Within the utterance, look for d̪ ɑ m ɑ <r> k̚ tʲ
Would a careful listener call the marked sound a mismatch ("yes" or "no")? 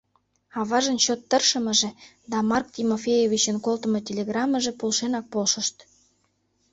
no